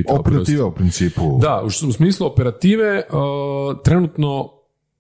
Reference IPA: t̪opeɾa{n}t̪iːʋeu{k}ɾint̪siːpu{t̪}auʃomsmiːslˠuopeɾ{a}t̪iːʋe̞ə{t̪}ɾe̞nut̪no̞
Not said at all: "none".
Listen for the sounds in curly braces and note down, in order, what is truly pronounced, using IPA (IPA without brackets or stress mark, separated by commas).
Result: none, p, d̪, a, t̪